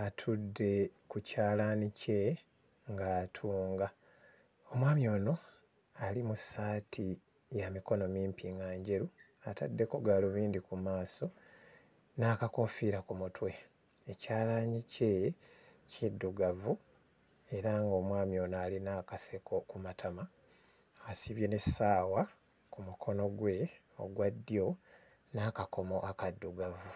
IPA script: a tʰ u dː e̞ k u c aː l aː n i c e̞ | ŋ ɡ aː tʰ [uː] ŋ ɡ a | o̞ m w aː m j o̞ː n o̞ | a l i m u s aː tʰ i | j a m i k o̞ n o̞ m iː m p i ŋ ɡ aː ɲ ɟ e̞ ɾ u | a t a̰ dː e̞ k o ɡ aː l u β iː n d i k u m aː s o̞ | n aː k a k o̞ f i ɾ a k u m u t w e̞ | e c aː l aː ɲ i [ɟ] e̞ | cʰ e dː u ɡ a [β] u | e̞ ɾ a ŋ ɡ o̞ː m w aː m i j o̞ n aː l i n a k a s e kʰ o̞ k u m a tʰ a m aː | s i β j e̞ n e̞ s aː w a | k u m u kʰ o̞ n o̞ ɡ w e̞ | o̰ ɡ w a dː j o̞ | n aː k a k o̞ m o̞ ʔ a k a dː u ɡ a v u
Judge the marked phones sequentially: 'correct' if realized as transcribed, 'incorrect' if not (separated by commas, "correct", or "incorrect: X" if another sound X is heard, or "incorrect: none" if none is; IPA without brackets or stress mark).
correct, incorrect: c, incorrect: v